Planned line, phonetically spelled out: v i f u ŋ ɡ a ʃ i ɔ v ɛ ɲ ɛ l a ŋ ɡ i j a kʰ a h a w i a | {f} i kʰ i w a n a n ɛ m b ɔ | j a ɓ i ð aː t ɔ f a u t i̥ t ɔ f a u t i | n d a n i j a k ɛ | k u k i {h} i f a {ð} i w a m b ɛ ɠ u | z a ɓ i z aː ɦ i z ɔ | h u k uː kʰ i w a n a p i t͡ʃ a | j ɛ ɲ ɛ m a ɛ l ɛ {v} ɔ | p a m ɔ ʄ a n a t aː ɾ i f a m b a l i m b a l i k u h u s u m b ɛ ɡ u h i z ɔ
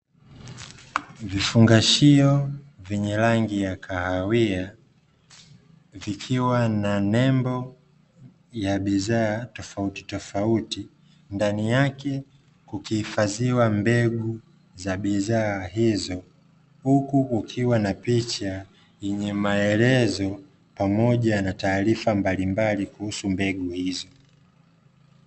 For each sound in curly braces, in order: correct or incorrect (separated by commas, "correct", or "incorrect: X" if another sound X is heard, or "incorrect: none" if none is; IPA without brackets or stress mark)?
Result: incorrect: v, correct, incorrect: z, incorrect: z